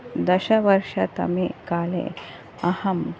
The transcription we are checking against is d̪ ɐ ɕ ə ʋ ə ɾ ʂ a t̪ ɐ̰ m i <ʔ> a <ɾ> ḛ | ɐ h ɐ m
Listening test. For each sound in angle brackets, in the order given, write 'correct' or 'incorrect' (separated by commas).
incorrect, incorrect